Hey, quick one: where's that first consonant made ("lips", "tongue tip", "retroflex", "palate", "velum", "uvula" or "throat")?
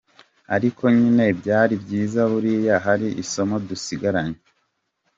tongue tip